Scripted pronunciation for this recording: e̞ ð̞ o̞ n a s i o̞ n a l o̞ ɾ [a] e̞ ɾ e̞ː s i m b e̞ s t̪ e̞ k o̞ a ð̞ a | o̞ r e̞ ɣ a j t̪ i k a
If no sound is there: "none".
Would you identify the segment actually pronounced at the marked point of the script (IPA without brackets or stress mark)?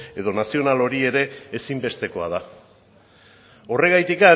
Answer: i